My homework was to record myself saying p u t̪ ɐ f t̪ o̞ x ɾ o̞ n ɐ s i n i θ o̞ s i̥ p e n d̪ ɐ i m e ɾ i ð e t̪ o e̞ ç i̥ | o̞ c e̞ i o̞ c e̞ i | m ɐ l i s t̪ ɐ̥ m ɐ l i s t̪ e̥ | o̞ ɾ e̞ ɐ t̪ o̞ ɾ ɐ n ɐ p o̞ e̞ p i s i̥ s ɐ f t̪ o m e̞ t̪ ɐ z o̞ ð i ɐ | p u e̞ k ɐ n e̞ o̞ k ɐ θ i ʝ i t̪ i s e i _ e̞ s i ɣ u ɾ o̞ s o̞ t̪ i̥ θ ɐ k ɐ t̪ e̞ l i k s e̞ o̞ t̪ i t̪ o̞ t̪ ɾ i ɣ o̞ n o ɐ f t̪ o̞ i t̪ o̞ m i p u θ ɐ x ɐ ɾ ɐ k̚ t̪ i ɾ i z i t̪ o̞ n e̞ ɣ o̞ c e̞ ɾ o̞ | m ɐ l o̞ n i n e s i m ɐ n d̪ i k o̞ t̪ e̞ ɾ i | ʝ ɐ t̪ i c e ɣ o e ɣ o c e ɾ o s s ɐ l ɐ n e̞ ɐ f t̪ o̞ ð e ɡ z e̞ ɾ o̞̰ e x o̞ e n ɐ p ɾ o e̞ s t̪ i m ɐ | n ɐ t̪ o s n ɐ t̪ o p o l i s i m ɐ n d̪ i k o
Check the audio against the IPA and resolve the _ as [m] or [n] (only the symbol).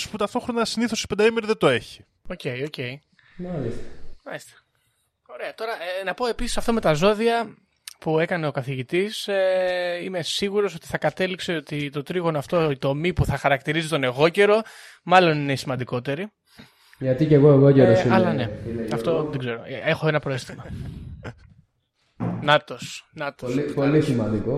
m